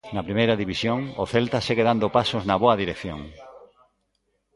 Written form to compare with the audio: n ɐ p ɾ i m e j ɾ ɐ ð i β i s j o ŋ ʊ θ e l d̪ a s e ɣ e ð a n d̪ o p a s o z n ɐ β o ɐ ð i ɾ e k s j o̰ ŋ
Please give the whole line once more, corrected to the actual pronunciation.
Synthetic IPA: n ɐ p ɾ i m e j ɾ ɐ ð i β i s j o ŋ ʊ θ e l t̪ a s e ɣ e ð a n d̪ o p a s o z n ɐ β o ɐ ð i ɾ e k θ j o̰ ŋ